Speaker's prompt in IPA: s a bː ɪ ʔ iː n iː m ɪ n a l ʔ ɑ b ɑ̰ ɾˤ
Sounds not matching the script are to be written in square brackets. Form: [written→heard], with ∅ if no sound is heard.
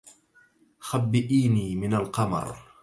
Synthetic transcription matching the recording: [s→x] a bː ɪ ʔ iː n iː m ɪ n a l [ʔ→q] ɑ [b→m] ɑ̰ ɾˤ